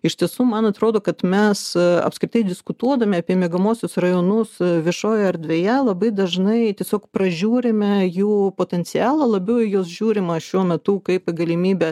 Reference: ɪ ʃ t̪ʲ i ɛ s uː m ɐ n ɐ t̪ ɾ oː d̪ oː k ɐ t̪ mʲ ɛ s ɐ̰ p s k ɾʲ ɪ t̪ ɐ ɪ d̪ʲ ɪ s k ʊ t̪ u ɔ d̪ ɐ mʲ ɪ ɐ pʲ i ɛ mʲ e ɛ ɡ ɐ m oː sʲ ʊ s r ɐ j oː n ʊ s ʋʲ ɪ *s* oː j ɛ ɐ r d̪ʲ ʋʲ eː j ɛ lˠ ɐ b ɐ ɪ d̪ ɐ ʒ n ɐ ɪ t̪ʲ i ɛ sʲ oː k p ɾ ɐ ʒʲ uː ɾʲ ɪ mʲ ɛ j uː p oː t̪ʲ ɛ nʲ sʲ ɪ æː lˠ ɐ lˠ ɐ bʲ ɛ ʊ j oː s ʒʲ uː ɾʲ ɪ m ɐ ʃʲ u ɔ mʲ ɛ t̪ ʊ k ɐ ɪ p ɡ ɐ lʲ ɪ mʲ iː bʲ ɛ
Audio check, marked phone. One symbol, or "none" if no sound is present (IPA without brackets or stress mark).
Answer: ʃ